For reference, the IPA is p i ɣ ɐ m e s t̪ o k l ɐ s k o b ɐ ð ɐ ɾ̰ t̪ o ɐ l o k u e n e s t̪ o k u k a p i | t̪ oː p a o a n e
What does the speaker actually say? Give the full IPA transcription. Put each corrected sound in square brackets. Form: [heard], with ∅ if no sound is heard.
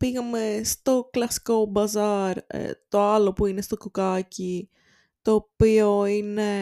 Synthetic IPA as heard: p i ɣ ɐ m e s t̪ o k l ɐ s k o b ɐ [z] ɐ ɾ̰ t̪ o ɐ l o [p] u [i] n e s t̪ o k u k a [c] i | t̪ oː p [i] o [i] n e